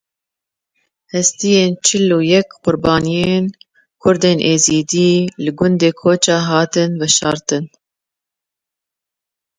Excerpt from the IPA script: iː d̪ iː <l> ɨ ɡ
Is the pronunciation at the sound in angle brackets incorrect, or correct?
correct